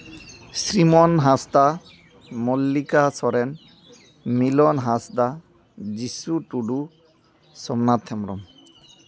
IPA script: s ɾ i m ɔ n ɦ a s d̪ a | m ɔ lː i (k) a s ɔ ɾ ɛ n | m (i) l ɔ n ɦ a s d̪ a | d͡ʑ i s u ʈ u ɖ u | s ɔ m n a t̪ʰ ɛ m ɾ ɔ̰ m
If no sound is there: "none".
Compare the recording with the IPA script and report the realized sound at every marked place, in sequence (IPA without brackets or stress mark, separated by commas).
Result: k, i